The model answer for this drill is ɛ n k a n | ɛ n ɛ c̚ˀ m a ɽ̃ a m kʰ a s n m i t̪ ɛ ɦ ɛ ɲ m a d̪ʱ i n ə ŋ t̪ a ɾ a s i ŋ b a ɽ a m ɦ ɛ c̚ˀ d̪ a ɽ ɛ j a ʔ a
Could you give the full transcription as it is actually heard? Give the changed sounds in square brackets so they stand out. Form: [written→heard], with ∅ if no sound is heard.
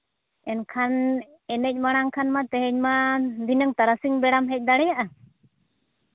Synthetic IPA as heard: ɛ n [k→kʰ] a n | ɛ n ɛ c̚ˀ m a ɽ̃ a [m→ŋ] kʰ a [s→∅] n m [i→a] t̪ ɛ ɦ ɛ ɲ m a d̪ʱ i n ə ŋ t̪ a ɾ a s i ŋ b [a→ɛ] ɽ a m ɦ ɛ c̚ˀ d̪ a ɽ ɛ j a ʔ a